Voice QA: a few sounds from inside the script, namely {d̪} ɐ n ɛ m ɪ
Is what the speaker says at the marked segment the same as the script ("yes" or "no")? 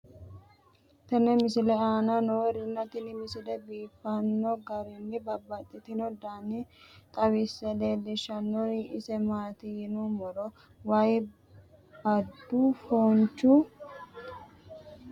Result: no